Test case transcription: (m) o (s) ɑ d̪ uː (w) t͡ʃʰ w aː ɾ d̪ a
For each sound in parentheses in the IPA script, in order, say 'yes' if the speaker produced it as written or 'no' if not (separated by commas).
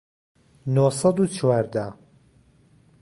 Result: no, yes, no